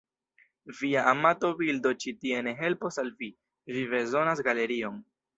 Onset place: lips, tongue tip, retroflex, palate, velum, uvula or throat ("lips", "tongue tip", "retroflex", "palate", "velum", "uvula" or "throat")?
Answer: lips